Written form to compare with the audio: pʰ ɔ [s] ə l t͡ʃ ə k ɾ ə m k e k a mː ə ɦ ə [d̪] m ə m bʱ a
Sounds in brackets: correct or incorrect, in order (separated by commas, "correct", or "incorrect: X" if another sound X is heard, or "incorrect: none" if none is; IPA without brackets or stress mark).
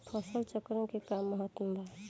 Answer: correct, incorrect: t̪